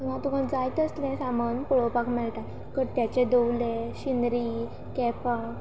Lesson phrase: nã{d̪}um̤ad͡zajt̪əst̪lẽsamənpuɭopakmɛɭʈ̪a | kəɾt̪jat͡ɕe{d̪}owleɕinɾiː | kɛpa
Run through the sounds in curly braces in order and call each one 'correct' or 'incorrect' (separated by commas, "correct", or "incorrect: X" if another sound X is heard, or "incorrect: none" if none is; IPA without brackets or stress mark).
incorrect: t̪, correct